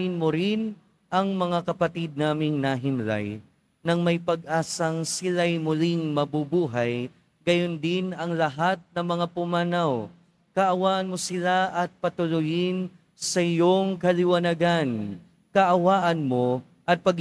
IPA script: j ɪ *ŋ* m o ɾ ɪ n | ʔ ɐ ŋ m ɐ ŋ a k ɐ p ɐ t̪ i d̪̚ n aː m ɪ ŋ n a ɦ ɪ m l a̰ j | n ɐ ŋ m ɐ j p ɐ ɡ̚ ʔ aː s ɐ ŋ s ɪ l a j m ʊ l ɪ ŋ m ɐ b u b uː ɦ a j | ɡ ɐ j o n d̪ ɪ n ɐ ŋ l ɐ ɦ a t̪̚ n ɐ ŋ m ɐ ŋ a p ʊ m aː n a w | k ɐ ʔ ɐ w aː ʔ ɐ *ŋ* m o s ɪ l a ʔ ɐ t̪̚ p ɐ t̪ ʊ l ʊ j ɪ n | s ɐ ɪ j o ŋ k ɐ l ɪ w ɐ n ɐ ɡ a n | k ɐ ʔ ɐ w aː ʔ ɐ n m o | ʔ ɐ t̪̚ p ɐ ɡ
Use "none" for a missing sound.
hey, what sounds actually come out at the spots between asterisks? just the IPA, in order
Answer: n, n

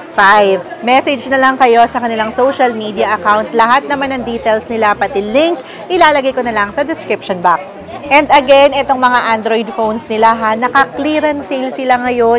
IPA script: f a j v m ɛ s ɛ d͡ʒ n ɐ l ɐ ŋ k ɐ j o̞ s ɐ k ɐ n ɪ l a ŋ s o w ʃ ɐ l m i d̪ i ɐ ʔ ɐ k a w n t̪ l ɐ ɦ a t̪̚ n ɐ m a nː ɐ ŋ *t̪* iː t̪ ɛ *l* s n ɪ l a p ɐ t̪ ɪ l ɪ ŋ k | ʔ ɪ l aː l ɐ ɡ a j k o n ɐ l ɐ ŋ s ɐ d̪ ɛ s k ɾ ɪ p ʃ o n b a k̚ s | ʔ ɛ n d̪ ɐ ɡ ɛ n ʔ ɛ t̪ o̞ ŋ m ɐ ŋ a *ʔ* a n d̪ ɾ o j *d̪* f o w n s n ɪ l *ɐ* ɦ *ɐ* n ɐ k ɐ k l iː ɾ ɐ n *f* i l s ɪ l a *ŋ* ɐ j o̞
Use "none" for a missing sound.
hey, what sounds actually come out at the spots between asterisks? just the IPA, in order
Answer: d̪, l, ʔ, d̪, a, a, s, ŋ

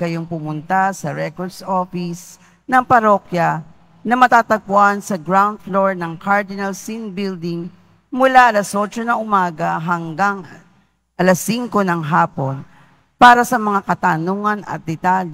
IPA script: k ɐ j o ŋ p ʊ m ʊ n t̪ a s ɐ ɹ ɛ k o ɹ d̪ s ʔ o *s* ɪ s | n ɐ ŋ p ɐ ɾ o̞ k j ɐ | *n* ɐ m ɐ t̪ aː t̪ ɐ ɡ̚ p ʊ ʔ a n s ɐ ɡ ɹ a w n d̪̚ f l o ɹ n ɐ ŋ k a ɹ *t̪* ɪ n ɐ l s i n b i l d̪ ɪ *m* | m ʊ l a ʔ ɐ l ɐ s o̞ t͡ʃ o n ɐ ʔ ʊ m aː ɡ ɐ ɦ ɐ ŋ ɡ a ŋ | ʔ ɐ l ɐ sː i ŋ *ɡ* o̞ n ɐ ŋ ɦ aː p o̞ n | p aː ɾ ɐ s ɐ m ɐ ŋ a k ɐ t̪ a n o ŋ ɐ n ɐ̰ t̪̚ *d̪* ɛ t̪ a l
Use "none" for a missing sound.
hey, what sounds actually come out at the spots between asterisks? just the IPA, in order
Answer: f, n, d̪, ŋ, k, d̪

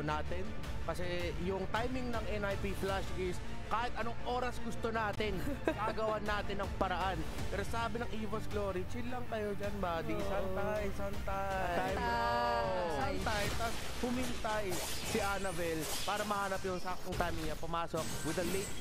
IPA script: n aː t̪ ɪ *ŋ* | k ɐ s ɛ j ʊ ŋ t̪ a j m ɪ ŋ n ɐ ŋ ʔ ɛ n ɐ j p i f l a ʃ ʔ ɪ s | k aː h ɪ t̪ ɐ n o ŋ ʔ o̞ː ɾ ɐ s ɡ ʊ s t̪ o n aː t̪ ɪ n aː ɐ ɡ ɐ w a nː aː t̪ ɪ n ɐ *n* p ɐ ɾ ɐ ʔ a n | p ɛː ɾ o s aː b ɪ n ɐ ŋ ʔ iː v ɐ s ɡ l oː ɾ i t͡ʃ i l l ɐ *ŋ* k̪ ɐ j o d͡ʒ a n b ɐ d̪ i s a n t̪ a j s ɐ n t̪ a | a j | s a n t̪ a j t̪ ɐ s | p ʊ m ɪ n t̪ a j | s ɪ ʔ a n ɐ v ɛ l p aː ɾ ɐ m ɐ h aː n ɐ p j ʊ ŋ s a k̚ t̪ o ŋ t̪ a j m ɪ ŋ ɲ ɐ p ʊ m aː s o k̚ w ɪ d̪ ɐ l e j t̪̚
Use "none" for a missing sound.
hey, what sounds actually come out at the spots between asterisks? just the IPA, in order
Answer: n, ŋ, ŋ

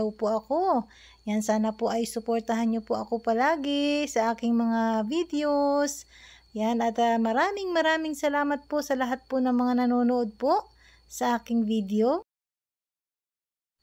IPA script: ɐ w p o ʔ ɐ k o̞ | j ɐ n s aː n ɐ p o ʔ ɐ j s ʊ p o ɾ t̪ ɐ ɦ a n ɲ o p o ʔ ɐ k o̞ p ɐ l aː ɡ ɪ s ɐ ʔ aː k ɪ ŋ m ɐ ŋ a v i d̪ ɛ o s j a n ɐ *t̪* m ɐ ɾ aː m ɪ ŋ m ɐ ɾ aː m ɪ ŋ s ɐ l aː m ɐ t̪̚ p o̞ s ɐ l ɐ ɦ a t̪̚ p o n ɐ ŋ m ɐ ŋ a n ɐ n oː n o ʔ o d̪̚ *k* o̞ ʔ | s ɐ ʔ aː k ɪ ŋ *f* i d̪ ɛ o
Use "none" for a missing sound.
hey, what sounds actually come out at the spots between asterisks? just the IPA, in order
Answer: t̪, p, v

